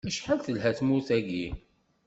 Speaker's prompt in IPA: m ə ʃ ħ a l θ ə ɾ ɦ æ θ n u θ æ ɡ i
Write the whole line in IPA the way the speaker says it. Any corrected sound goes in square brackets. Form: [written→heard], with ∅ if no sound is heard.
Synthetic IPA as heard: m ə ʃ ħ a l θ ə [ɾ→l] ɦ æ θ [n→m] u θ æ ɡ i